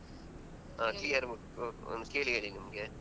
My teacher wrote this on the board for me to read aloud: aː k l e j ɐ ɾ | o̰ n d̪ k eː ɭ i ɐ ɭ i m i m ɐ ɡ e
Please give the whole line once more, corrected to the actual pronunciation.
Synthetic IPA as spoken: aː k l i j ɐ ɾ | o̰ n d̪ k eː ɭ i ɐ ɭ i n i m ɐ ɡ e